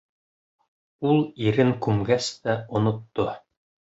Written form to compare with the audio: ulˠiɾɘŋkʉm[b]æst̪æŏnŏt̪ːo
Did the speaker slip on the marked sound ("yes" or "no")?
yes